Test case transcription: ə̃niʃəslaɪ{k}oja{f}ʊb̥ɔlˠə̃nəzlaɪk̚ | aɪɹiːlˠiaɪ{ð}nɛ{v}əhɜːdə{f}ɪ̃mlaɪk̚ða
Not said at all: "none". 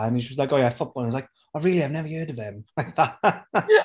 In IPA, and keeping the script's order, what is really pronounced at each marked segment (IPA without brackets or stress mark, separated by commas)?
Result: k, f, v, v, v